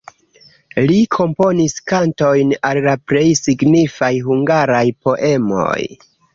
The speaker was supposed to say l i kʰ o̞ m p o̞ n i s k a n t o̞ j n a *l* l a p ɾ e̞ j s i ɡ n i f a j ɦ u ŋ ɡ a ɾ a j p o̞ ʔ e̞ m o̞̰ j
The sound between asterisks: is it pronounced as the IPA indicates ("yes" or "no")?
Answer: yes